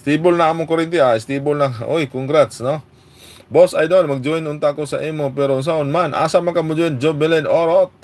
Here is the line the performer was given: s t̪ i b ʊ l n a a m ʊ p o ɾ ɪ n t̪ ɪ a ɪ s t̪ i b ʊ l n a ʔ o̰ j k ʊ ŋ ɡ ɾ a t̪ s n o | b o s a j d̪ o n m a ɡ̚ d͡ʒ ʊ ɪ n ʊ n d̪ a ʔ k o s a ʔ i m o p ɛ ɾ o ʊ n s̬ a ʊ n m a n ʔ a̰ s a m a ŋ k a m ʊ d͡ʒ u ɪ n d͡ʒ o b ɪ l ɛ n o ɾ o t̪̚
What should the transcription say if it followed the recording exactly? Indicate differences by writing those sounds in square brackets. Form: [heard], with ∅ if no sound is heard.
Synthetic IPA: s t̪ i b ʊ l n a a m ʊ [k] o ɾ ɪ n t̪ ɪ a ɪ s t̪ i b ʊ l n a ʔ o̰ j k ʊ ŋ ɡ ɾ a t̪ s n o | b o s a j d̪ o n m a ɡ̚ d͡ʒ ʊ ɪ n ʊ n [t̪] a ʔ k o s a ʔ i m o p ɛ ɾ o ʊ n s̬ a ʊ n m a n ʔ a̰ s a m a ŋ k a m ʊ d͡ʒ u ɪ n d͡ʒ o b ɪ l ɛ n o ɾ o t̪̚